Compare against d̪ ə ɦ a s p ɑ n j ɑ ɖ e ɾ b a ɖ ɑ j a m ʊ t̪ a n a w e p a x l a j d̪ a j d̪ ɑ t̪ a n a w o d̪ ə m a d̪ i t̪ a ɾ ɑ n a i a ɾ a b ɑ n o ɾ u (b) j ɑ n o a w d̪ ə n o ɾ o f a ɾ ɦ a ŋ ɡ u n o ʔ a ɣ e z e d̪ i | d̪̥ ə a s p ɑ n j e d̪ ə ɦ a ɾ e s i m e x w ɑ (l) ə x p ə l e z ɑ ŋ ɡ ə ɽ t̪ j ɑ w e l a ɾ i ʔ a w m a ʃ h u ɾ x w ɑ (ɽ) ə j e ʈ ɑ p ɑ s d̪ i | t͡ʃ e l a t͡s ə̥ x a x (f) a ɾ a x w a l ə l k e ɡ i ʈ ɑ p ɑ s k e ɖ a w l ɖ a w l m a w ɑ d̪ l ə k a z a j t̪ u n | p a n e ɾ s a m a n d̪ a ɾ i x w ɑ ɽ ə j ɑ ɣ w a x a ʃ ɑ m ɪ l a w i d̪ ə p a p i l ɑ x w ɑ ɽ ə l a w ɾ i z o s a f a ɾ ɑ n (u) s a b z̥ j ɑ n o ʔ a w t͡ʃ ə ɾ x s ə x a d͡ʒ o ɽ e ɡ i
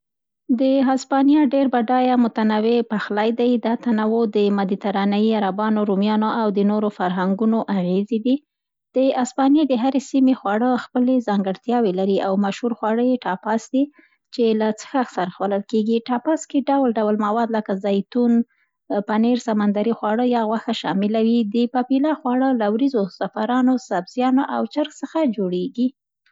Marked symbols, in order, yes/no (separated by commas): no, no, yes, no, no